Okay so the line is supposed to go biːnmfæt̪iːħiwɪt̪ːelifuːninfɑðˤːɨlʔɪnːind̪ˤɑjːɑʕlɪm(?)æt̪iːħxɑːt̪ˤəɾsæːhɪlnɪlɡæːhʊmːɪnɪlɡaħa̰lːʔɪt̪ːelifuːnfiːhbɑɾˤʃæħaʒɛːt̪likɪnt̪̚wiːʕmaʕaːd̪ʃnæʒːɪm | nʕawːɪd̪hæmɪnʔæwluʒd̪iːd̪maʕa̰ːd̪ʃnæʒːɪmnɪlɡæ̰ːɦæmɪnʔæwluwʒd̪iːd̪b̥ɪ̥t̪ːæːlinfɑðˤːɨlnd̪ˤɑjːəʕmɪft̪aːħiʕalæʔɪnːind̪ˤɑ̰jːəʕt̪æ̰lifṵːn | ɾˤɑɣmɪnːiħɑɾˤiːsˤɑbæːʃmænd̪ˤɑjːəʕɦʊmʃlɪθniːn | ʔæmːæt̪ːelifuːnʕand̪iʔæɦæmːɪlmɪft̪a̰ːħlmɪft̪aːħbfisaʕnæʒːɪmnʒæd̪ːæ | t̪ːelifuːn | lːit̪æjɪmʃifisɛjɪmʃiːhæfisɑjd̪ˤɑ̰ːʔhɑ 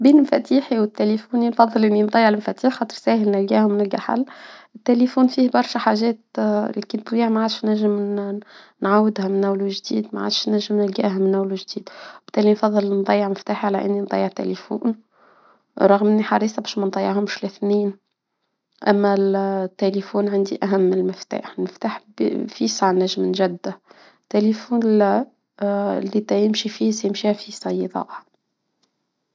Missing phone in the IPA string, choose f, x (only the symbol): f